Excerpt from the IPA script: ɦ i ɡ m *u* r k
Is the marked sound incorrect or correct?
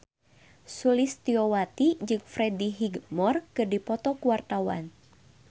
incorrect